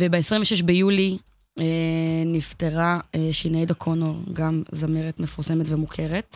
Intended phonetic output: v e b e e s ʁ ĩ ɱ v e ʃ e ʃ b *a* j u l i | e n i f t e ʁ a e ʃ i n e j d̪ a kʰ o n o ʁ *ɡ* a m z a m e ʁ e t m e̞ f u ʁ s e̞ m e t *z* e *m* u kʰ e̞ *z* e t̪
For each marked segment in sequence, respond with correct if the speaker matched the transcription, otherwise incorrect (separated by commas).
incorrect, correct, incorrect, correct, incorrect